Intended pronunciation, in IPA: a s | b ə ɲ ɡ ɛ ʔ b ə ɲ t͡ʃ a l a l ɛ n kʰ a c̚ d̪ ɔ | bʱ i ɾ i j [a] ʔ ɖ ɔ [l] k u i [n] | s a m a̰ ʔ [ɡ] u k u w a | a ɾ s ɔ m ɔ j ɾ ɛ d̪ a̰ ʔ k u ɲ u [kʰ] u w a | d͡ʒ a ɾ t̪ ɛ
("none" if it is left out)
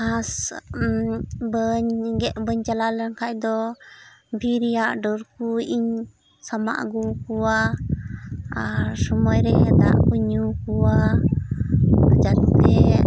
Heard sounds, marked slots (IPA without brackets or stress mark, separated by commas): a, ɾ, ɲ, ɡ, k